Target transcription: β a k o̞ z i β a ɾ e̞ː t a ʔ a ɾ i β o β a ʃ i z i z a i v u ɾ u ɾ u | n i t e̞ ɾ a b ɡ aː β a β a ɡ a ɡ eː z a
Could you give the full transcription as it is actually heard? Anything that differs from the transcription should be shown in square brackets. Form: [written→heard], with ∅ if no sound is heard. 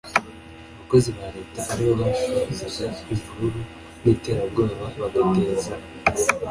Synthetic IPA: β a k o̞ z i β a ɾ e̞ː t a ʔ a ɾ i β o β a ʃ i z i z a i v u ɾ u ɾ u | n i t e̞ ɾ a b ɡ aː β a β a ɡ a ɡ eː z a